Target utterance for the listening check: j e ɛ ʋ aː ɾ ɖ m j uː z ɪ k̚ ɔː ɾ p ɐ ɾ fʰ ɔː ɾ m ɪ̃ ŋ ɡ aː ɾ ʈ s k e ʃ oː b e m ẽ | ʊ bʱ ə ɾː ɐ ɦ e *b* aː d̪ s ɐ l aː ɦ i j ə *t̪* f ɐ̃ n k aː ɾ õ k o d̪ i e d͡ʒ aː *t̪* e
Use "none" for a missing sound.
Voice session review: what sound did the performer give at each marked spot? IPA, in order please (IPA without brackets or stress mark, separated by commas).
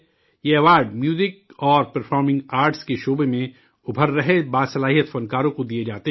b, t̪, t̪